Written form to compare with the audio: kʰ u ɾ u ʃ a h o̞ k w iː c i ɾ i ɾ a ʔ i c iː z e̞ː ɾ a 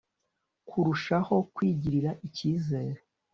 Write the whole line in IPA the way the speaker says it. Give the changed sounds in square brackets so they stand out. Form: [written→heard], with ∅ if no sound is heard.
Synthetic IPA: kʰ u ɾ u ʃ a h o̞ k w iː [c→ɟ] i ɾ i ɾ a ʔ i c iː z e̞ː ɾ [a→e]